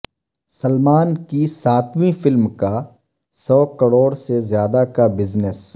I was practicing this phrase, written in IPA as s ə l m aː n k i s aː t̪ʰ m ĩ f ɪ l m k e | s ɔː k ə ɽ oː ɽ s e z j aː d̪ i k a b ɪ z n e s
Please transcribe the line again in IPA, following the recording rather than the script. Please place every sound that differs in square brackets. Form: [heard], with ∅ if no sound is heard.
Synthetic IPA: s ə l m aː n k i s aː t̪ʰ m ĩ f ɪ l m k [a] | s ɔː k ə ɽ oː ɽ s e z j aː d̪ [a] k a b ɪ z n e s